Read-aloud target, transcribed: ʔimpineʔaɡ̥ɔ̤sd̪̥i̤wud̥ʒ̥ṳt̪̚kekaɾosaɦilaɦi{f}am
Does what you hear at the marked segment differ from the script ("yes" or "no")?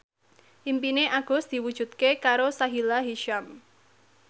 yes